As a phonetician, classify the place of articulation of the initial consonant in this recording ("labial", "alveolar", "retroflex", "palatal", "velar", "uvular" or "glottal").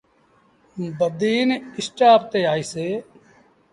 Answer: labial